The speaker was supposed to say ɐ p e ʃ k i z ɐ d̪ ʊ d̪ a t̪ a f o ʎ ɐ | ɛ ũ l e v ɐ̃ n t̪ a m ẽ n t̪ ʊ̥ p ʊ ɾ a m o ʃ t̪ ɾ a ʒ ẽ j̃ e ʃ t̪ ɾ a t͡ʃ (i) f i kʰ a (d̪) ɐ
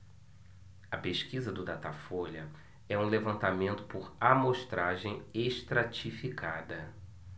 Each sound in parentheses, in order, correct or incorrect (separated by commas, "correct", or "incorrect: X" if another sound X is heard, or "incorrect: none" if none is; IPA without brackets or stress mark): correct, correct